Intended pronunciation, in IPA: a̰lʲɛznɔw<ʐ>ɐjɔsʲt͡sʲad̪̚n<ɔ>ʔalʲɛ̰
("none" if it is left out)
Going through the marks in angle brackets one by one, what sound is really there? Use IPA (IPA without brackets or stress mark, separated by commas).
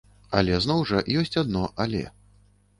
ʐ, ɔ